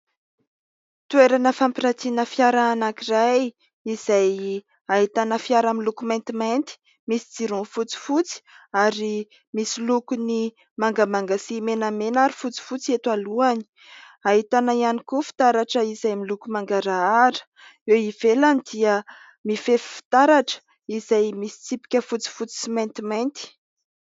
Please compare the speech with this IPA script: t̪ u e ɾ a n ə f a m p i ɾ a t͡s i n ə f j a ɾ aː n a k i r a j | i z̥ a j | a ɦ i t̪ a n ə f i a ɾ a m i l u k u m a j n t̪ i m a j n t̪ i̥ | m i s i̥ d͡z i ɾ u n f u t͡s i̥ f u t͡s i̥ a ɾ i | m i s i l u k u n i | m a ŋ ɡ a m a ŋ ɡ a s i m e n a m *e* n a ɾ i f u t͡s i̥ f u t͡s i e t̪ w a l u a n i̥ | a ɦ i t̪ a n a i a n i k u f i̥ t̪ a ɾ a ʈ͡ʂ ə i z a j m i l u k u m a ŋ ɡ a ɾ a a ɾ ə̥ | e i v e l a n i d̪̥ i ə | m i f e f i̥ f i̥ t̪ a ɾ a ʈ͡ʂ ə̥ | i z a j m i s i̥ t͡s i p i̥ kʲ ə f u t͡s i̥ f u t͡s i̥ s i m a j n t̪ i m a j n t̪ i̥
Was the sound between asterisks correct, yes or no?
yes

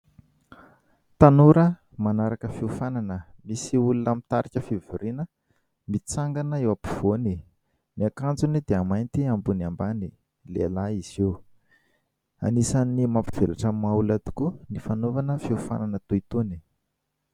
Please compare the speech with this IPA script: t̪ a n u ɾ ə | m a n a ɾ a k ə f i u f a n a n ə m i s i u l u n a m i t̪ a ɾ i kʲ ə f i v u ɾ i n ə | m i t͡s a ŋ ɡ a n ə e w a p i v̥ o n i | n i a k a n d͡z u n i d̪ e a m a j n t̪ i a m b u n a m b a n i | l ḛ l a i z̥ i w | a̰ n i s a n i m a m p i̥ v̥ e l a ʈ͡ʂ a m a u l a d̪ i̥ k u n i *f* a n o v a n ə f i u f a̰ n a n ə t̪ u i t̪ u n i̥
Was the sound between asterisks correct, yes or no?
yes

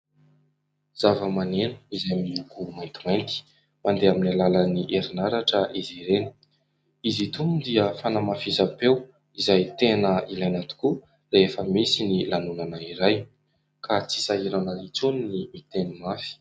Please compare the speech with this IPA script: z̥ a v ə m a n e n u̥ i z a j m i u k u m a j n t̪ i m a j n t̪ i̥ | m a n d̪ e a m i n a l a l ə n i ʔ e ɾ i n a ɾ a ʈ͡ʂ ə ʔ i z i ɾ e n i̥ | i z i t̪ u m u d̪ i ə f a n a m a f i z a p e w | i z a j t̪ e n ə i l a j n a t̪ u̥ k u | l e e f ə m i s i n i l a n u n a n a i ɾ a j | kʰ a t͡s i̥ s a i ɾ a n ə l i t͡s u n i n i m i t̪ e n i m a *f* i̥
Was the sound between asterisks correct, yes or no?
yes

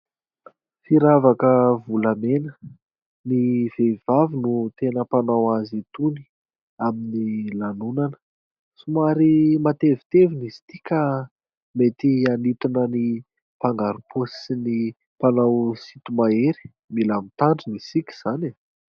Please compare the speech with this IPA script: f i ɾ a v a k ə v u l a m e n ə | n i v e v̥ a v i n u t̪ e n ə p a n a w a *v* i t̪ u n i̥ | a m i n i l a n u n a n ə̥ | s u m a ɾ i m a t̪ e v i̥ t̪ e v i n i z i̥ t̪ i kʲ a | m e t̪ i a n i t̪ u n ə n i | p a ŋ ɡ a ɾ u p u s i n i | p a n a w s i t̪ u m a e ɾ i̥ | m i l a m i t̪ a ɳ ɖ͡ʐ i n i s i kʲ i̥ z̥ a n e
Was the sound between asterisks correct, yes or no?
no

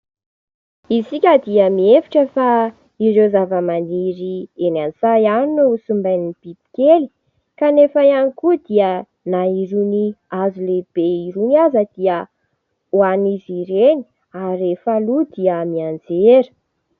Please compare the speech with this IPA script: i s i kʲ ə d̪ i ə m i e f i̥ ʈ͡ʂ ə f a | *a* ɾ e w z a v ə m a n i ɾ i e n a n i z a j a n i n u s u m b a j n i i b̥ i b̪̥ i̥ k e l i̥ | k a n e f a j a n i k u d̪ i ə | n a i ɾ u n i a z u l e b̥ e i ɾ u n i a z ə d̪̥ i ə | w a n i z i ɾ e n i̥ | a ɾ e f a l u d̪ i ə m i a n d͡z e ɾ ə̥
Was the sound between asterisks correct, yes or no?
no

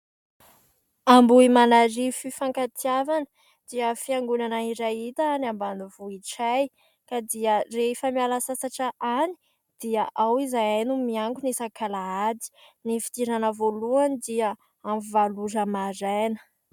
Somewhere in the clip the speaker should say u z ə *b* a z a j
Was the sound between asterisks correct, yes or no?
no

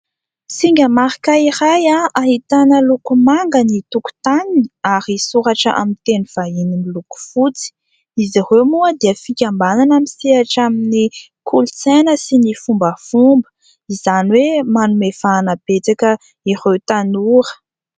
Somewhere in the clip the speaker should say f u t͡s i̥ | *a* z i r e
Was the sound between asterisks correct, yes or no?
no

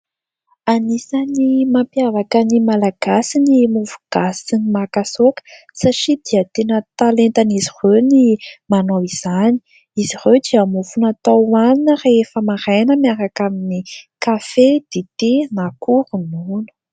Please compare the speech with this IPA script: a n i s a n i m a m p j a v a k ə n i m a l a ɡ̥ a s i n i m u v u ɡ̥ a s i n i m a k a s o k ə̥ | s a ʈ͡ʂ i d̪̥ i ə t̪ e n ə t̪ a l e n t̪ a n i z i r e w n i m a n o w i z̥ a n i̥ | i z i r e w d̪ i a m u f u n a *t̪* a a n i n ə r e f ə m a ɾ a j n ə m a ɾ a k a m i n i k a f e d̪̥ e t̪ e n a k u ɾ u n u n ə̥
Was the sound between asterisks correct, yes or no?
yes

